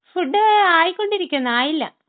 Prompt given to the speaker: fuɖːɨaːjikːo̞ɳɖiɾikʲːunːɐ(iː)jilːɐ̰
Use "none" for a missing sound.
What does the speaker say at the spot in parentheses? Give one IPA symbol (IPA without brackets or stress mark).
aː